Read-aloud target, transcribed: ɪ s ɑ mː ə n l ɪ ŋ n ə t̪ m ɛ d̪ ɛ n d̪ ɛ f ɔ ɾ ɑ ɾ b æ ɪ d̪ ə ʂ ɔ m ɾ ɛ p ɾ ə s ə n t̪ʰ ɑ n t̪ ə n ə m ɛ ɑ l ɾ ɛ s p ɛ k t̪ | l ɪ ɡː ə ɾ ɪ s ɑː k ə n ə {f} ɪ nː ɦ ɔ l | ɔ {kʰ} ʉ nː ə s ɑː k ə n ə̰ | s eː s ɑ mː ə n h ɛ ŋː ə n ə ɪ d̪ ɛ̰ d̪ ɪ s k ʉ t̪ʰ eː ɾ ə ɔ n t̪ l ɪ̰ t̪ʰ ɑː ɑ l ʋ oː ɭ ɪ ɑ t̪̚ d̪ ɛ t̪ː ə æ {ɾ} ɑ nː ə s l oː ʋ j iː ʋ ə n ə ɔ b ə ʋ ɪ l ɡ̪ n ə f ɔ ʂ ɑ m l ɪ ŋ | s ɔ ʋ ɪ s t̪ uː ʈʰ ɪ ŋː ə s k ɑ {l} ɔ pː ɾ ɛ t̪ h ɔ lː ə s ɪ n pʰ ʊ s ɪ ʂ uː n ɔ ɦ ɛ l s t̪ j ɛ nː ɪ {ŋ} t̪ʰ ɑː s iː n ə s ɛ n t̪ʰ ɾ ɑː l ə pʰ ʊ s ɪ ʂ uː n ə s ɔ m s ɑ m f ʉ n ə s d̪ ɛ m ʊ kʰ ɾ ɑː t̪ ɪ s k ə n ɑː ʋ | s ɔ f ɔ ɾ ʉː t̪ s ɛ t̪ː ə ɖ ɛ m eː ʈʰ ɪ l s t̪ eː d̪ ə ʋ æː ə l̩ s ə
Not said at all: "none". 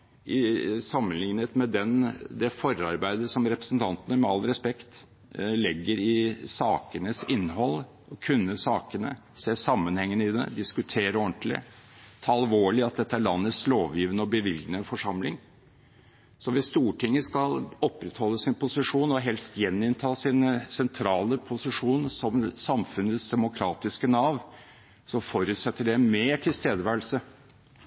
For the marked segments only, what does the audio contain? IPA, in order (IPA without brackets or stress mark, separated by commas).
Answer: s, kʰ, ɭ, l, n